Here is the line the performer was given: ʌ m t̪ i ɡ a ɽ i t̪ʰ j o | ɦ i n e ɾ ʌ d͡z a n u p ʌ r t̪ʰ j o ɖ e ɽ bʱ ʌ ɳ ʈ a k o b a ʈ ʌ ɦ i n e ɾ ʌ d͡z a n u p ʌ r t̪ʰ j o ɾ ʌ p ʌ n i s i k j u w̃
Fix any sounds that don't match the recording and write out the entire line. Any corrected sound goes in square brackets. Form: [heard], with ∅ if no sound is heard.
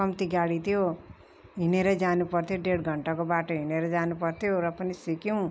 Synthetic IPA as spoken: ʌ m t̪ i ɡ a ɽ i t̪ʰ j o | ɦ i n e ɾ ʌ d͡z a n u p ʌ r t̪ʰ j o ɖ e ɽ [ɡʱ] ʌ ɳ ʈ a k o b a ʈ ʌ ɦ i n e ɾ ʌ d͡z a n u p ʌ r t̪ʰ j o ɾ ʌ p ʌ n i s i k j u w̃